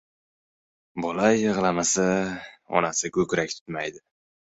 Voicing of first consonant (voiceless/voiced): voiced